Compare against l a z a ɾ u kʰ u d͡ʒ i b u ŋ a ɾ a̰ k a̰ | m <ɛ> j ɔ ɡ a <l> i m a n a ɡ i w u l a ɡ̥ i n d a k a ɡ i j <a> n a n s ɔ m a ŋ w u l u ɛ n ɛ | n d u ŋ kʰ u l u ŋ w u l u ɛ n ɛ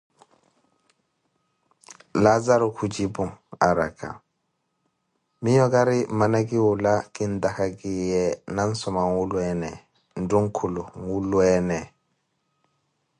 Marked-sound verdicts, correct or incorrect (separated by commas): incorrect, incorrect, incorrect